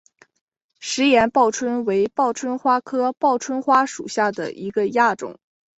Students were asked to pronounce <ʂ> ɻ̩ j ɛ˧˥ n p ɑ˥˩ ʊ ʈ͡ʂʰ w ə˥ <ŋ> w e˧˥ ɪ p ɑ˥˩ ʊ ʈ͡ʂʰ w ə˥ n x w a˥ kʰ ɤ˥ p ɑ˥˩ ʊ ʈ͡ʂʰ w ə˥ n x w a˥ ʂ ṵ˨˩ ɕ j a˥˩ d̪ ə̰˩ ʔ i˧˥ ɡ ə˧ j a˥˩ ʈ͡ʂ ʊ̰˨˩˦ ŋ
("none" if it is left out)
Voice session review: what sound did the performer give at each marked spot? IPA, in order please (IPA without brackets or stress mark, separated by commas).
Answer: ʂ, n